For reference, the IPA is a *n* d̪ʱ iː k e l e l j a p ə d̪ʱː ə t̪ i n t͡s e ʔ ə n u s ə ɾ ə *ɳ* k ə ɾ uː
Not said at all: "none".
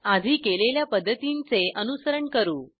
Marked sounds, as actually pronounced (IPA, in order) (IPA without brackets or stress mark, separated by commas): none, ɳ